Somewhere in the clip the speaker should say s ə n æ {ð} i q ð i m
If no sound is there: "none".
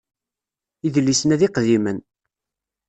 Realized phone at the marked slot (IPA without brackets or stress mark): ð